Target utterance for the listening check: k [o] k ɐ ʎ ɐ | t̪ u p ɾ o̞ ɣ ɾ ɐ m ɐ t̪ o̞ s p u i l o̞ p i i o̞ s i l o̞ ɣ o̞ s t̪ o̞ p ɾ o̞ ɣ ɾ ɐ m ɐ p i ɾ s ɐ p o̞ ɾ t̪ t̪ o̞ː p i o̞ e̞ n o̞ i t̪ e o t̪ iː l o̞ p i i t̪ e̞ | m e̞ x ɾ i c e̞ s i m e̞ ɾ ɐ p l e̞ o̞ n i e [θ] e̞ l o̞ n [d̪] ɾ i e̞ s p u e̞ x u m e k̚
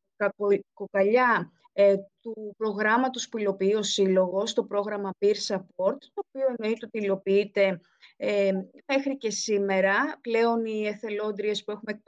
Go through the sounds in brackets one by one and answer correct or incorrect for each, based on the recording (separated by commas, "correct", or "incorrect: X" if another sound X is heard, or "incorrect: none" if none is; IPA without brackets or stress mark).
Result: correct, correct, correct